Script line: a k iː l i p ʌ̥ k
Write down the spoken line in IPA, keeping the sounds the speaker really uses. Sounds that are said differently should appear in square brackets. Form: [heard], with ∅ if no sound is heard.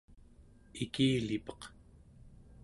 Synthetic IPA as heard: [i] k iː l i p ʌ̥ [q]